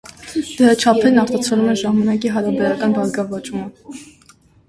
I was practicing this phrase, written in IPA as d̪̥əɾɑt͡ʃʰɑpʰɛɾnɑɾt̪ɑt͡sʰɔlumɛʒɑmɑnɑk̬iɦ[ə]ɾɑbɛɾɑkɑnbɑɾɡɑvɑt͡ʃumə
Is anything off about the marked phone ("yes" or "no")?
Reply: yes